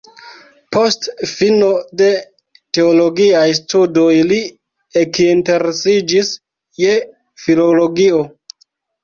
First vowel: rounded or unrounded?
rounded